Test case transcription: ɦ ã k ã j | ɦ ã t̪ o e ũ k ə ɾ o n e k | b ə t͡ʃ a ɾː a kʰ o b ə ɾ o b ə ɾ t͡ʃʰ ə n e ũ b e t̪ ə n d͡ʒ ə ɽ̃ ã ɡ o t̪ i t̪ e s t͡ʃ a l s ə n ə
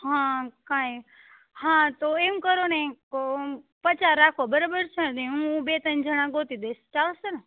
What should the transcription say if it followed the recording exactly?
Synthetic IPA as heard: ɦ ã k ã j | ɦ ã t̪ o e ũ k ə ɾ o n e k | p ə t͡ʃ a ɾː a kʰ o b ə ɾ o b ə ɾ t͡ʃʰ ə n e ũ b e t̪ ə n d͡ʒ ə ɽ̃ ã ɡ o t̪ i d̪ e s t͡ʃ a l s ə n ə